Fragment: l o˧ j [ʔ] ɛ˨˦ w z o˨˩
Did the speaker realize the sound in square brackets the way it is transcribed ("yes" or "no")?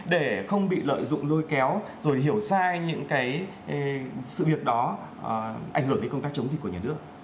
no